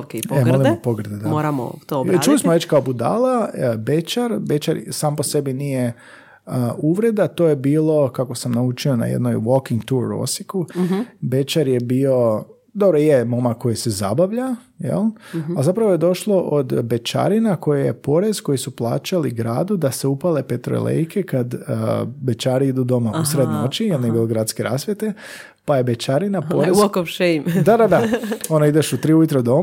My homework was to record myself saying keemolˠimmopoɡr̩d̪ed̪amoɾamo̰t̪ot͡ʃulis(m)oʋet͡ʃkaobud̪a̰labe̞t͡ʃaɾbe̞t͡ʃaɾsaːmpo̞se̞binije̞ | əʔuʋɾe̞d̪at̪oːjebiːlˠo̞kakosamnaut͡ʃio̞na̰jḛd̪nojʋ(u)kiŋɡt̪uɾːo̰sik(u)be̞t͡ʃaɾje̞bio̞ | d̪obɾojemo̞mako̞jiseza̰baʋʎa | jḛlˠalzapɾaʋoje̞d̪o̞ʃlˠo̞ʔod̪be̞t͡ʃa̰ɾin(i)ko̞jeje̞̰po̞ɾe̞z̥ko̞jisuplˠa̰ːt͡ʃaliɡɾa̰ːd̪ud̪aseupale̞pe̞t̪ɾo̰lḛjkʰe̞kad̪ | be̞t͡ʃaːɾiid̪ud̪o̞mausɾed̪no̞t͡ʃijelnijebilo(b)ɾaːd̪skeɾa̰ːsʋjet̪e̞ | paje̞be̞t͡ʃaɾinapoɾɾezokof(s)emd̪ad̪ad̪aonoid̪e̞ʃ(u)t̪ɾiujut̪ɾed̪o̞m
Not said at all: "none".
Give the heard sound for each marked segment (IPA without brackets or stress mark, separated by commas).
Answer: m, o, u, a, ɡ, ʃ, u